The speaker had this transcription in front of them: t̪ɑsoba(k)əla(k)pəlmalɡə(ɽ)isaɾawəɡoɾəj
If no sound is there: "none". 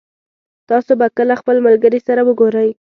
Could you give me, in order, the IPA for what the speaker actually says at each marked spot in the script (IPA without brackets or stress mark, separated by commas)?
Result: k, x, ɾ